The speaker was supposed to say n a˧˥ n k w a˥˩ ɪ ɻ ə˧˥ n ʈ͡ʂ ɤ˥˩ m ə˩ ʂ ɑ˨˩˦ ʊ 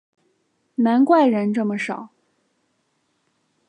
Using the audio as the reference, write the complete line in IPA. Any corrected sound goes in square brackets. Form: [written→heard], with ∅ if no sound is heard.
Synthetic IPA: n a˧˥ n k w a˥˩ ɪ ɻ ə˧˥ n ʈ͡ʂ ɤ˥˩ m ə˩ ʂ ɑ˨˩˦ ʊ

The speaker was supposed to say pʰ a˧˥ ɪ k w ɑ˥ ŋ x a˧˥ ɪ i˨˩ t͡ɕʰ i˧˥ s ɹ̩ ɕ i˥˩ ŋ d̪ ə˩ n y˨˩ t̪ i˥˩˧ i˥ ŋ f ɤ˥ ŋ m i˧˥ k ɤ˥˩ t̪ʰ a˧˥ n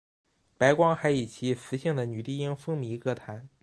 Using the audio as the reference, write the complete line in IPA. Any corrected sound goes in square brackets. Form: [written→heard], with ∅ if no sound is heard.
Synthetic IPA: [pʰ→p] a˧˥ ɪ k w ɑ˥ ŋ x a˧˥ ɪ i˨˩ t͡ɕʰ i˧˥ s ɹ̩ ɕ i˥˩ ŋ d̪ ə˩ n y˨˩ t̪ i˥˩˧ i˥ ŋ f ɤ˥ ŋ m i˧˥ k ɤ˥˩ t̪ʰ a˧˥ n

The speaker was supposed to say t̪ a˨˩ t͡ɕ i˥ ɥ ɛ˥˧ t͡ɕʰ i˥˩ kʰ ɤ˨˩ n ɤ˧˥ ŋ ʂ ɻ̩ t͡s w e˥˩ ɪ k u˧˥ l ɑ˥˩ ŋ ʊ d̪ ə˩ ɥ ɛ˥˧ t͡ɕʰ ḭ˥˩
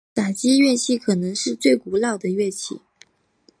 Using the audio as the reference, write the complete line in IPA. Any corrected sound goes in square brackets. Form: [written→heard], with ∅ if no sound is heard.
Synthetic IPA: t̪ a˨˩ t͡ɕ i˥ ɥ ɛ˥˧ t͡ɕʰ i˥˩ kʰ ɤ˨˩ n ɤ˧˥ ŋ ʂ ɻ̩ t͡s w e˥˩ ɪ k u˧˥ l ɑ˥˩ [ŋ→∅] ʊ d̪ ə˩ ɥ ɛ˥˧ t͡ɕʰ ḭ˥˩

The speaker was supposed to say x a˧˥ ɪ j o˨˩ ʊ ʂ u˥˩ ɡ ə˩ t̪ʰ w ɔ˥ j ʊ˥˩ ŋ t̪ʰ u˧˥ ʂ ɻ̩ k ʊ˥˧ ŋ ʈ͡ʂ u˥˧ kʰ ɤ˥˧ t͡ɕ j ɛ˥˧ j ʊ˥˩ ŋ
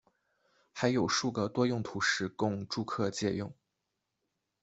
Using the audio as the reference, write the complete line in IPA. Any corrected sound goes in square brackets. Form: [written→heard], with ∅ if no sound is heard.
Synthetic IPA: x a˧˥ ɪ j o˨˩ ʊ ʂ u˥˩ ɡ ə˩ [t̪ʰ→t̪] w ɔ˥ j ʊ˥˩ ŋ t̪ʰ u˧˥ ʂ ɻ̩ k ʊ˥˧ ŋ ʈ͡ʂ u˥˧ kʰ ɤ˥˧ t͡ɕ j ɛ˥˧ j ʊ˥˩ ŋ

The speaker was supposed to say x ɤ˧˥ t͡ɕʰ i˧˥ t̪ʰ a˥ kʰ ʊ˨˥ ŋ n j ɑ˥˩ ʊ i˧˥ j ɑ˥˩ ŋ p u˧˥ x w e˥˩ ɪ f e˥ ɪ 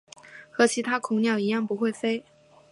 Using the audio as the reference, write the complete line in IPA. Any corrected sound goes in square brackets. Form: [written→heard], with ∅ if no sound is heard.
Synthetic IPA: x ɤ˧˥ t͡ɕʰ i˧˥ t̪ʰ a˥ kʰ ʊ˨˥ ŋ n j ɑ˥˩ ʊ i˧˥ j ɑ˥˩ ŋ p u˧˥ x w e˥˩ ɪ f e˥ ɪ

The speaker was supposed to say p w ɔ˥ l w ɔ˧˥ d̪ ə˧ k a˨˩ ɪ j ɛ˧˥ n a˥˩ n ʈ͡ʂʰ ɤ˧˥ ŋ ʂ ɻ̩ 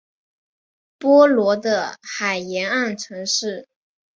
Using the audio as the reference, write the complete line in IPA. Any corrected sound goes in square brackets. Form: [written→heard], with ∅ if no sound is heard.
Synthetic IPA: p w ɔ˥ l w ɔ˧˥ d̪ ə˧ [k→x] a˨˩ ɪ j ɛ˧˥ n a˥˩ n ʈ͡ʂʰ ɤ˧˥ ŋ ʂ ɻ̩

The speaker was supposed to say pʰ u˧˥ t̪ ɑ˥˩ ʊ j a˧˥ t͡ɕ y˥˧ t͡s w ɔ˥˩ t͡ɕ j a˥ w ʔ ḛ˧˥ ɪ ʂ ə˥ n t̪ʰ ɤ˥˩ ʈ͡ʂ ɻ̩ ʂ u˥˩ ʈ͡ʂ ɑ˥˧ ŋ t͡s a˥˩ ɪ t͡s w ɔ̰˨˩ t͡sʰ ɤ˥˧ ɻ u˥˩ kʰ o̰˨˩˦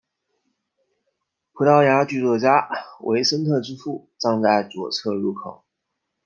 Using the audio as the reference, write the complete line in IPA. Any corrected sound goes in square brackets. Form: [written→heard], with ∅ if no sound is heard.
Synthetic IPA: pʰ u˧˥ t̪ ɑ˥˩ ʊ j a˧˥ t͡ɕ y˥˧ t͡s w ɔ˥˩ t͡ɕ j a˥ w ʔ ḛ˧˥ ɪ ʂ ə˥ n t̪ʰ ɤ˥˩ ʈ͡ʂ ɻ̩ [ʂ→f] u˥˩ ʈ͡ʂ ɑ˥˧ ŋ t͡s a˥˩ ɪ t͡s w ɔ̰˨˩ t͡sʰ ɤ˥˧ ɻ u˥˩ kʰ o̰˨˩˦

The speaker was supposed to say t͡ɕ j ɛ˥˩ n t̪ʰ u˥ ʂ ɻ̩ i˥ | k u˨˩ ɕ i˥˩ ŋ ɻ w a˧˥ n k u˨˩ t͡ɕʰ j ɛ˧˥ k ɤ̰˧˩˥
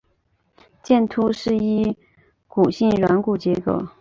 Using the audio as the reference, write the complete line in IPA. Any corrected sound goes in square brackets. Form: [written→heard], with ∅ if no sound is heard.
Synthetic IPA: t͡ɕ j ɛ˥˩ n t̪ʰ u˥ ʂ ɻ̩ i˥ | k u˨˩ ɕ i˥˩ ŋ ɻ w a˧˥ n k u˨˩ [t͡ɕʰ→t͡ɕ] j ɛ˧˥ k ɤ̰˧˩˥

